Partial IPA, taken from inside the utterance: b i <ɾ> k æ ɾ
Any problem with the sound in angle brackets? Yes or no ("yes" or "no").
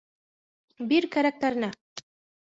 no